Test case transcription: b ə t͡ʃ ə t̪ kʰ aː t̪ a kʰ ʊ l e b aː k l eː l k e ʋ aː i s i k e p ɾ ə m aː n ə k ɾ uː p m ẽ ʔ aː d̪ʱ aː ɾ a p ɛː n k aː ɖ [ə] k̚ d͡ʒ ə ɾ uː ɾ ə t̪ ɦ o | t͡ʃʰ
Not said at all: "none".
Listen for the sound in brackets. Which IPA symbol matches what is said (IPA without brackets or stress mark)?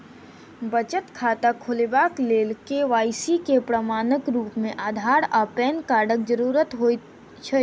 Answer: ə